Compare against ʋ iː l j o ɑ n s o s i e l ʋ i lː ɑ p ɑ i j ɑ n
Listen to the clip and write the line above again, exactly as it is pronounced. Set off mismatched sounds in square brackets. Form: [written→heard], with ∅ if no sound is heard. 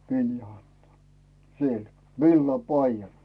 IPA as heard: ʋ [iː→i] l j o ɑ n [s→t] o s i e l ʋ i lː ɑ p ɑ i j ɑ n